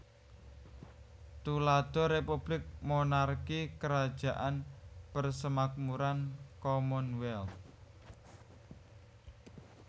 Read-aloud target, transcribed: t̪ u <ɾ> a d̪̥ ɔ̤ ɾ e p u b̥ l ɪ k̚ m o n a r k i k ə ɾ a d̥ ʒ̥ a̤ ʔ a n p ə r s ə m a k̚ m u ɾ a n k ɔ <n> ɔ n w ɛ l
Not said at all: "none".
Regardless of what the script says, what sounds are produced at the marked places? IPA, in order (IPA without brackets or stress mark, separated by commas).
l, m